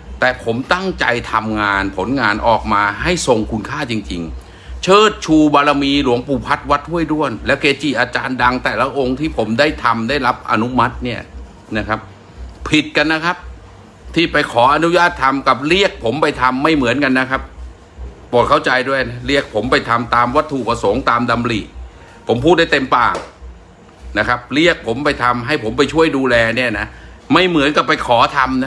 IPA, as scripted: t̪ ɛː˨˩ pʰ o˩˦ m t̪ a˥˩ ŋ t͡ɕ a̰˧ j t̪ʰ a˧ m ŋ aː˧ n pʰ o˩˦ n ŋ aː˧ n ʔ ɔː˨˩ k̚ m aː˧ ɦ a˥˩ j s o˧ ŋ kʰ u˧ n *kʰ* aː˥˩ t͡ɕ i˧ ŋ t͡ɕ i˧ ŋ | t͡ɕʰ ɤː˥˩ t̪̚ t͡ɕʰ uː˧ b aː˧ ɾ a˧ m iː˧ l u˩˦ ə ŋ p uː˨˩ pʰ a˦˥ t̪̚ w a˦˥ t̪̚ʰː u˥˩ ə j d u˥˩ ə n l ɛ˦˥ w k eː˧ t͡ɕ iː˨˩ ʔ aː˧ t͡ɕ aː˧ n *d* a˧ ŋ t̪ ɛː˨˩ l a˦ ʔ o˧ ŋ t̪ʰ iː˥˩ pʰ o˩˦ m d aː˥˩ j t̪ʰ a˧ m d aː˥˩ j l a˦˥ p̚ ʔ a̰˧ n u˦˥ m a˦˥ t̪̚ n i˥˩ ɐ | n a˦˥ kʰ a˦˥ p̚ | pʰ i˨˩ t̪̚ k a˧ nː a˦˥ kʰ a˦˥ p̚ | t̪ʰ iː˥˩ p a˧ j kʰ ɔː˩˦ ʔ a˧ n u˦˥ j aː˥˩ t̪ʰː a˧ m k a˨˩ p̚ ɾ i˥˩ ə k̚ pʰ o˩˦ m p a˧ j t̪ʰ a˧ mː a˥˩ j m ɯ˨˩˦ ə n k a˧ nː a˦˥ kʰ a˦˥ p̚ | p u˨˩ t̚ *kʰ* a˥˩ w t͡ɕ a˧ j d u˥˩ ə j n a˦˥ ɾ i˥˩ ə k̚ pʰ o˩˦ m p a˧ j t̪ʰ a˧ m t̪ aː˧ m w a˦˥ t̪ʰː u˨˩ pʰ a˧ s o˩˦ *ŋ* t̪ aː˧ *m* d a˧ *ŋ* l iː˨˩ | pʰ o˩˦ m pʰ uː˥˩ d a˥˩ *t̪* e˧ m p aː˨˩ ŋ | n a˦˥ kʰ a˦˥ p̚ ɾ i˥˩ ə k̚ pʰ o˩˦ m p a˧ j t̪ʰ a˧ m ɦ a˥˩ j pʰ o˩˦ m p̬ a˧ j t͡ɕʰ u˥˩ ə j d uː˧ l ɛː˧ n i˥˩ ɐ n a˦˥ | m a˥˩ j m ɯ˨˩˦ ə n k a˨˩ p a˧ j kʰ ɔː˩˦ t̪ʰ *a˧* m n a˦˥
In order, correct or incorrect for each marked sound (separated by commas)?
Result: correct, correct, correct, correct, correct, incorrect, correct, correct